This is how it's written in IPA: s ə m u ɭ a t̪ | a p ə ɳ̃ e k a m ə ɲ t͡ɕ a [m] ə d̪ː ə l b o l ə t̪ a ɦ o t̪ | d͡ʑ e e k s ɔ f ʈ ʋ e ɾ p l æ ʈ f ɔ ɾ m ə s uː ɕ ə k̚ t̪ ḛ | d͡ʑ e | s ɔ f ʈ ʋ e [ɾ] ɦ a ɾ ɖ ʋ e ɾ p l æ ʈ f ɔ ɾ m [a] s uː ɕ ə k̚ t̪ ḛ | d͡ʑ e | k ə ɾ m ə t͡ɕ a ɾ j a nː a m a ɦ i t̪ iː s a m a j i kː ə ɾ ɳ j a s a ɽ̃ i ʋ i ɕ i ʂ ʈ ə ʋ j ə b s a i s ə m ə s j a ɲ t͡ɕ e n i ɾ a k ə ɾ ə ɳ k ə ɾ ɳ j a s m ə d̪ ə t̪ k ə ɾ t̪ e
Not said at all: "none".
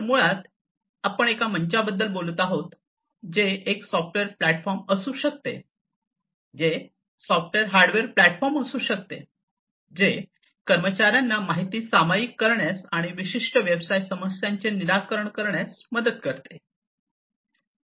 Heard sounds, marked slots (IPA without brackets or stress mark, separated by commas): b, ɾ, ə